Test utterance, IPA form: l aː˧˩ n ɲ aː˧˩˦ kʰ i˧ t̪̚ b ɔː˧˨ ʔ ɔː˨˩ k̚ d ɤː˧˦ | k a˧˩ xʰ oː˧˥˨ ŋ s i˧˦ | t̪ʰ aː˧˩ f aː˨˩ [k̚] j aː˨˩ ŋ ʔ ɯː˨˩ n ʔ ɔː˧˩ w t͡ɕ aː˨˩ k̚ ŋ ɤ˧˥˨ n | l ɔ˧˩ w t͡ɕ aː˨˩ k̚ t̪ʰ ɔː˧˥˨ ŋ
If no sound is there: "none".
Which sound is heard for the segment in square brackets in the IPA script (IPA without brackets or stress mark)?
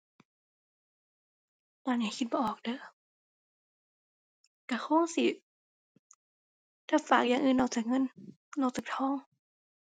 k̚